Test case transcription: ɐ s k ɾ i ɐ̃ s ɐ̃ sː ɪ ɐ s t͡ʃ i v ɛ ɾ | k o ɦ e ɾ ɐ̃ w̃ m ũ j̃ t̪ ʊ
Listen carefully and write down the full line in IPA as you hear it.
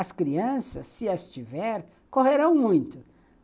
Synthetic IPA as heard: ɐ s k ɾ i ɐ̃ s ɐ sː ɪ ɐ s t͡ʃ i v ɛ ɾ | k o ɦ e ɾ ɐ̃ w̃ m ũ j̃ t̪ ʊ